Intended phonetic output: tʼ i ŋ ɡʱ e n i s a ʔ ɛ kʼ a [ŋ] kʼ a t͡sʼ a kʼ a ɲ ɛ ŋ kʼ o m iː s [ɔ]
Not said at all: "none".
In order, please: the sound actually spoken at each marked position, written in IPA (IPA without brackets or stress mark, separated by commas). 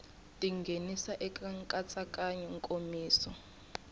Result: ŋ, ɔ